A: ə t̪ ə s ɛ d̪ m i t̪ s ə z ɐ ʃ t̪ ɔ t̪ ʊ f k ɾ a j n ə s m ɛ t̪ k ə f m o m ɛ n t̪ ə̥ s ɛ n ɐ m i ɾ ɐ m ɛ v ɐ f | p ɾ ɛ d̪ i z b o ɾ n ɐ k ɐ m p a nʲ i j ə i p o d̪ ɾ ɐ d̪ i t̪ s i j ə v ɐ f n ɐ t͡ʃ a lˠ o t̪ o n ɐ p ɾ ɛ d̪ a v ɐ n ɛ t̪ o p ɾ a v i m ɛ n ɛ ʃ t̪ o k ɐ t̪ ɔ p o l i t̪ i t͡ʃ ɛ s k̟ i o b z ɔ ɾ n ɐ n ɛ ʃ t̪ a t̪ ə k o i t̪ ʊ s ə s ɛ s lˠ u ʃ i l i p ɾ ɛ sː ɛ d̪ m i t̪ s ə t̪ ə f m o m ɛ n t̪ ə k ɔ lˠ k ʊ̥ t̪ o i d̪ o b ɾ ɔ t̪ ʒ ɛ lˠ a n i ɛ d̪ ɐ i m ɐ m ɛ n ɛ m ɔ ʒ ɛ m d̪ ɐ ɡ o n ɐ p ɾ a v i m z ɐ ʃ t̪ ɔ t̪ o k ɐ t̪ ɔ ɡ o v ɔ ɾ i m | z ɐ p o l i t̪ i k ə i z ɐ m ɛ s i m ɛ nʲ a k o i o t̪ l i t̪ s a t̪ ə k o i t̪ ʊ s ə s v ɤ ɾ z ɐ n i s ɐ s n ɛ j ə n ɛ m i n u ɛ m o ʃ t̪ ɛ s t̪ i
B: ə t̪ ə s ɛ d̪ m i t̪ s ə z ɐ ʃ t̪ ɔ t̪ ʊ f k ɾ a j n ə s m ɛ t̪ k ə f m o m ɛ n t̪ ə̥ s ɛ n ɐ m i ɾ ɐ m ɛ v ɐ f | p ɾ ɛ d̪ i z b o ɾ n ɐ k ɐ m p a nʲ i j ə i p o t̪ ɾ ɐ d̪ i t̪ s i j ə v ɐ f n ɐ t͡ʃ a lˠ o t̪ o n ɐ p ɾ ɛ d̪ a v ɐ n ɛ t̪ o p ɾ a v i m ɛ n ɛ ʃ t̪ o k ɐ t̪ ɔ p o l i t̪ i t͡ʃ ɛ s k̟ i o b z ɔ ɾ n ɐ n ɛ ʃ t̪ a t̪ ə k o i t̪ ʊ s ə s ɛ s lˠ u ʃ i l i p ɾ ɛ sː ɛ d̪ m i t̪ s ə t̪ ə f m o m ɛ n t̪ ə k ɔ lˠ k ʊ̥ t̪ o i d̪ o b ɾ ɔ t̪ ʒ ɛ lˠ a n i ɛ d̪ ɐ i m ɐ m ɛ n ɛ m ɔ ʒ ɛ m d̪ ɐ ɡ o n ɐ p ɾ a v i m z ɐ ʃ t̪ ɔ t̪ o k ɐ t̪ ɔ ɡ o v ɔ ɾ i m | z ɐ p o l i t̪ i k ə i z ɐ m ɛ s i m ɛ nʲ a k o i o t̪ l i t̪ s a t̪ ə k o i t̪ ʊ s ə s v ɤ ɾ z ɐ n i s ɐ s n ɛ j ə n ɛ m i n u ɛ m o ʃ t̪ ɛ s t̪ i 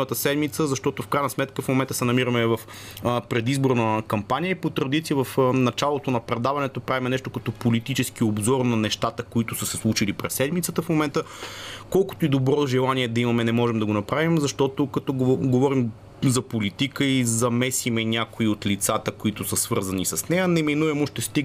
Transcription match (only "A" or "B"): B